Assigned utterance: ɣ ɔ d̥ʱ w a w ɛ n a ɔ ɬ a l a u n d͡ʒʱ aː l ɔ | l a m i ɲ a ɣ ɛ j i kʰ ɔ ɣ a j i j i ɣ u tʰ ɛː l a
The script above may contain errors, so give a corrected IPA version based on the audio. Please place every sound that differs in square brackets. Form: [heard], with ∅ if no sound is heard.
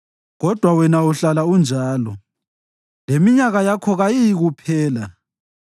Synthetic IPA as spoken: ɣ ɔ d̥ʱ w a w ɛ n a [u] ɬ a l a u n d͡ʒʱ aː l ɔ | l [e] m i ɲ a ɣ [a] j [a] kʰ ɔ ɣ a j i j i ɣ u [pʰ] ɛː l a